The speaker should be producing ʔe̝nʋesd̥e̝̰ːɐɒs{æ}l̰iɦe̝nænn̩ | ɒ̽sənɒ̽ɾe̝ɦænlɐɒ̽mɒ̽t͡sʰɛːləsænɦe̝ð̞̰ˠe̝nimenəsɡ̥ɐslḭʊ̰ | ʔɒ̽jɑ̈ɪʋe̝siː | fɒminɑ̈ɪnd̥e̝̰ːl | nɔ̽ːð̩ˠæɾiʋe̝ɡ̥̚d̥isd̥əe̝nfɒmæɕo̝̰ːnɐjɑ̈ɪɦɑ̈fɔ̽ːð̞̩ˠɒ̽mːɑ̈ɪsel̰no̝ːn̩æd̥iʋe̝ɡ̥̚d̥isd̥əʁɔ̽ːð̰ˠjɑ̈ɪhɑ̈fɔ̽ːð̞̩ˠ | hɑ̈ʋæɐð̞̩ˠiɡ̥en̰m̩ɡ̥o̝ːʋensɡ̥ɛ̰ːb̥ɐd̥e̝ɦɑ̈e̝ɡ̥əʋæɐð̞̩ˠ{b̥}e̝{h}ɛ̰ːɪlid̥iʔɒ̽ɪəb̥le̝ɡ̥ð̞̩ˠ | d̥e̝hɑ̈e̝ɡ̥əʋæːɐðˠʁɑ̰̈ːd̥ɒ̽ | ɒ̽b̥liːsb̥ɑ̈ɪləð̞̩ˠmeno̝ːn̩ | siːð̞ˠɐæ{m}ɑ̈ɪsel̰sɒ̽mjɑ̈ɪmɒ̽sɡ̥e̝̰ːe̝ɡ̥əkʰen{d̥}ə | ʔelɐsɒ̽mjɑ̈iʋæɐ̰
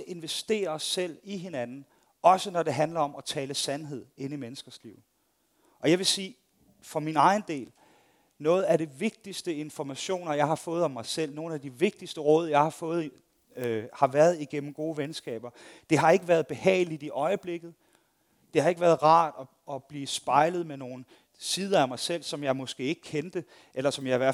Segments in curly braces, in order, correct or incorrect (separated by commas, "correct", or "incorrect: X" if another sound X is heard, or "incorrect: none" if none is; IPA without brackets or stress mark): incorrect: e, correct, correct, correct, correct